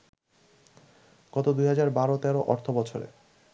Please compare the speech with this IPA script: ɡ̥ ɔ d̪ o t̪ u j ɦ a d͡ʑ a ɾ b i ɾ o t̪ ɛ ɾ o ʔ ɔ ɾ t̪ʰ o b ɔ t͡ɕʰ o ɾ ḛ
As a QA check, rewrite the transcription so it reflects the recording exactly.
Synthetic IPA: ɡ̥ ɔ t̪ o d̪ u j ɦ a d͡ʑ a ɾ b a ɾ o t̪ ɛ ɾ o ʔ ɔ ɾ t̪ʰ o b ɔ t͡ɕʰ o ɾ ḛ